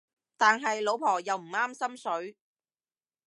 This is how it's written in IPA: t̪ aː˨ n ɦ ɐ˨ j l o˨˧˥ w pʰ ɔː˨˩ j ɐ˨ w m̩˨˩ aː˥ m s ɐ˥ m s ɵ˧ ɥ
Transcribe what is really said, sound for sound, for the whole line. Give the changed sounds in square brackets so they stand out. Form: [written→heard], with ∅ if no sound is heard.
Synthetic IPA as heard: t̪ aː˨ n ɦ ɐ˨ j l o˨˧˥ w pʰ ɔː˨˩ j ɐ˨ w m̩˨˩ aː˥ m s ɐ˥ m s [ɵ˧→ɵ˨˥] ɥ